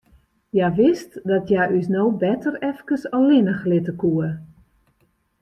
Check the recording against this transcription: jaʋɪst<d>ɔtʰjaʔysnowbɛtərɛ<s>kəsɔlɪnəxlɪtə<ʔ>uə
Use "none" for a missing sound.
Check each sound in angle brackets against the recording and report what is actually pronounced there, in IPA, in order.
d, f, k

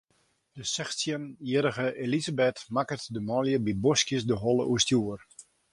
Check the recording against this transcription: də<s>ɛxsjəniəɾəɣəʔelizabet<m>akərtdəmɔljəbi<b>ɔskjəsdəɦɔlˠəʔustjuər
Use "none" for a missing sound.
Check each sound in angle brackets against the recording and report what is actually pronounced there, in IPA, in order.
s, m, b

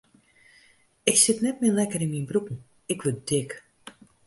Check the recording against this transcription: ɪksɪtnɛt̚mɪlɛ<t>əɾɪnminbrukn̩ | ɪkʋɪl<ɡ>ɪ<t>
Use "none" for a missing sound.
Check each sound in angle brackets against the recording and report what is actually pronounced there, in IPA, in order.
k, d, k

